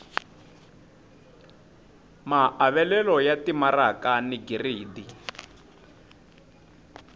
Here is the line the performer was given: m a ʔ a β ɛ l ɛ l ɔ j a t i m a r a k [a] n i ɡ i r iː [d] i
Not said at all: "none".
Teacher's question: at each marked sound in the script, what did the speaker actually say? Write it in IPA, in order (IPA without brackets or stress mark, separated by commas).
a, d